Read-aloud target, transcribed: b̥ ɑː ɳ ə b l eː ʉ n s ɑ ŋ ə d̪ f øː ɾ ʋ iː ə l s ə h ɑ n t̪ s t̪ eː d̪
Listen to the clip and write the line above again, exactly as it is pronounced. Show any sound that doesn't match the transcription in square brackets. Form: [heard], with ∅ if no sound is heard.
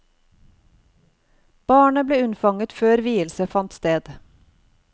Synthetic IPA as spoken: b̥ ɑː ɳ ə b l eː ʉ n [f] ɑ ŋ ə [t̪] f øː ɾ ʋ iː ə l s ə [f] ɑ n t̪ s t̪ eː d̪